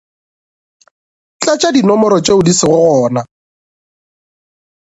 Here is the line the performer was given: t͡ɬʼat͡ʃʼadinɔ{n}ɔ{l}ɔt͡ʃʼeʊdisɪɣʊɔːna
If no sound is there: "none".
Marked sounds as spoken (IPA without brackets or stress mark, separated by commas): m, ɾ